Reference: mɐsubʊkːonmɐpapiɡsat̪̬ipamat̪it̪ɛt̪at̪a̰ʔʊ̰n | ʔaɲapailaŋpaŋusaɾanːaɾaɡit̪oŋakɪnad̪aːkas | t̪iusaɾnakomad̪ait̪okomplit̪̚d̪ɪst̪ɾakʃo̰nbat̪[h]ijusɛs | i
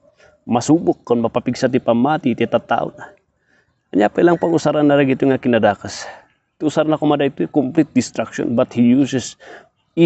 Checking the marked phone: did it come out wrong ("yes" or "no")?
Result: no